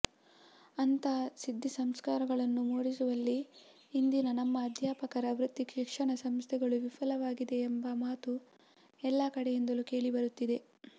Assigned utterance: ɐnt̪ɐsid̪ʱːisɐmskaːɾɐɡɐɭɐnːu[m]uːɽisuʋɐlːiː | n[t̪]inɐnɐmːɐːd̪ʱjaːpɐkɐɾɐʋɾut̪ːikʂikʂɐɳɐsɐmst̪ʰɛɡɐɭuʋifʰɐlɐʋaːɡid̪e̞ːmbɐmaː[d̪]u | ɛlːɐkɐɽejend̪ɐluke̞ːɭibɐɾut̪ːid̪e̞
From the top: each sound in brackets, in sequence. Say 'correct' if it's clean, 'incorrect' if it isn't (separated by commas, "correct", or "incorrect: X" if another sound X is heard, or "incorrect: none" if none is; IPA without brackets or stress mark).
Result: correct, incorrect: d̪, incorrect: t̪